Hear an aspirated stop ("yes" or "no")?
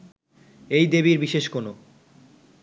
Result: no